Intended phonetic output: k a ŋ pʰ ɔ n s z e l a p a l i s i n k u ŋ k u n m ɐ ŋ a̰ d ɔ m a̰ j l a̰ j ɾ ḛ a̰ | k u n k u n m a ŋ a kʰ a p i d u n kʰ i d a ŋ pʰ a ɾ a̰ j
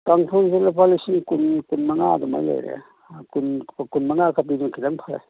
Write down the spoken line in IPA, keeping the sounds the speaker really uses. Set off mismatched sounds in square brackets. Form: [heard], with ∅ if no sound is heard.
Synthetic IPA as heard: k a ŋ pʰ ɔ n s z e l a p a l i s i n k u [n] k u n m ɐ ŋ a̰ d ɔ m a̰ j l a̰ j ɾ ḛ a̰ | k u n k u n m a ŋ a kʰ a p i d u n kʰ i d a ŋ pʰ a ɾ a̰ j